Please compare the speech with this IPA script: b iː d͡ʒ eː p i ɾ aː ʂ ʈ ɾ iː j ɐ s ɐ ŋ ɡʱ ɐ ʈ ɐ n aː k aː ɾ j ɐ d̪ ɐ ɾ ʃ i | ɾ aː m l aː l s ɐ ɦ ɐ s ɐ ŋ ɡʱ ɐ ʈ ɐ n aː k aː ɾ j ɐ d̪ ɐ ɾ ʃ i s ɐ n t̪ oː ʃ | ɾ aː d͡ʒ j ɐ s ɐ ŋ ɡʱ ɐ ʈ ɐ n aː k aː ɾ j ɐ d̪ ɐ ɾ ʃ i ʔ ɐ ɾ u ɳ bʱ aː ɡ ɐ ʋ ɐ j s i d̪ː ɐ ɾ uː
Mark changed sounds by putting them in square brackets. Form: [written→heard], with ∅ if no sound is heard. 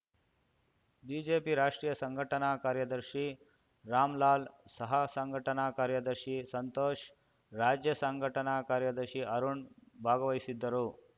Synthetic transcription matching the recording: b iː d͡ʒ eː p i ɾ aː ʂ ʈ ɾ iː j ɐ s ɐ ŋ ɡʱ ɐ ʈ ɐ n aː k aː ɾ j ɐ d̪ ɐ ɾ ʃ i | ɾ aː m l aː l s ɐ ɦ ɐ s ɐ ŋ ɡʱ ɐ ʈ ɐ n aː k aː ɾ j ɐ d̪ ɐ ɾ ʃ i s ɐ n t̪ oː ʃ | ɾ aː d͡ʒ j ɐ s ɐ ŋ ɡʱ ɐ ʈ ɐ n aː k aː ɾ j ɐ d̪ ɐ ɾ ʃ i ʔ ɐ ɾ u ɳ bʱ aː ɡ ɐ ʋ ɐ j s i d̪ː ɐ ɾ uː

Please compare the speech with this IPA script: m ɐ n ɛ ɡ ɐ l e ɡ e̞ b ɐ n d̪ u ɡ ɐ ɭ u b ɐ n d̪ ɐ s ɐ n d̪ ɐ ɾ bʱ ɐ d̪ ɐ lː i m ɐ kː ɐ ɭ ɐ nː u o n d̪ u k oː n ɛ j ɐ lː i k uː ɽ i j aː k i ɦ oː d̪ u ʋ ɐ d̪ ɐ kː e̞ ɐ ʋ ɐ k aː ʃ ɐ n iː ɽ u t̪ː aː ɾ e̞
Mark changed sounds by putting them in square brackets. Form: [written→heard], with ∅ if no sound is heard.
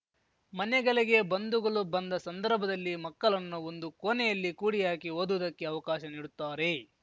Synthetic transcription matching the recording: m ɐ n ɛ ɡ ɐ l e ɡ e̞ b ɐ n d̪ u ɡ ɐ ɭ u b ɐ n d̪ ɐ s ɐ n d̪ ɐ ɾ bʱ ɐ d̪ ɐ lː i m ɐ kː ɐ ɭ ɐ nː u o n d̪ u k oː n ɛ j ɐ lː i k uː ɽ i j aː k i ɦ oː d̪ u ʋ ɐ d̪ ɐ kː e̞ ɐ ʋ ɐ k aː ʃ ɐ n iː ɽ u t̪ː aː ɾ e̞

